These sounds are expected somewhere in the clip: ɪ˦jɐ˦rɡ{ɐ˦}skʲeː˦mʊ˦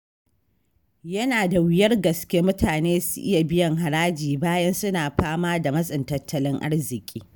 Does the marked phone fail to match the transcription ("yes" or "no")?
yes